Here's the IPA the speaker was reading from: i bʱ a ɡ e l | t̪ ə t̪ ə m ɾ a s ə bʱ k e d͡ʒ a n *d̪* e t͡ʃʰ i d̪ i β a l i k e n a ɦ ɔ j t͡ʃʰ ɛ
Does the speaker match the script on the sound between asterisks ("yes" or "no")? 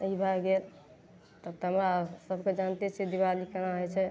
no